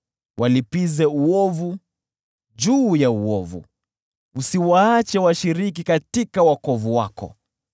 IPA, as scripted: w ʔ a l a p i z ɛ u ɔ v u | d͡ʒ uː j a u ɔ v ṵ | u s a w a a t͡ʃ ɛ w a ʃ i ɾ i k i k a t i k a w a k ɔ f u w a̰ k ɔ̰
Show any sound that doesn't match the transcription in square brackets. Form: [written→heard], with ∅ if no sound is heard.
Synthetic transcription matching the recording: w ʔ a l [a→i] p i z ɛ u ɔ v u | d͡ʒ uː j a u ɔ v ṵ | u s [a→i] w a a t͡ʃ ɛ w a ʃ i ɾ i k i k a t i k a w a k ɔ [f→v] u w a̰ k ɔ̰